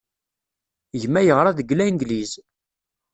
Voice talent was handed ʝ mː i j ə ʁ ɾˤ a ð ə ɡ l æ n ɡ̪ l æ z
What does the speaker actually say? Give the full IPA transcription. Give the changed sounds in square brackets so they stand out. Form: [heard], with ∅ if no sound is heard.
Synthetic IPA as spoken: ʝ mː [æ] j ə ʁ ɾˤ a ð ə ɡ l æ n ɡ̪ l [i] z